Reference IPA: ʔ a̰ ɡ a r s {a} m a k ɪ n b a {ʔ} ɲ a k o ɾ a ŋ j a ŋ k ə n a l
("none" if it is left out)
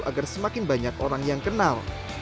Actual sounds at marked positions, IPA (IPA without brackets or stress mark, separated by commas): ə, none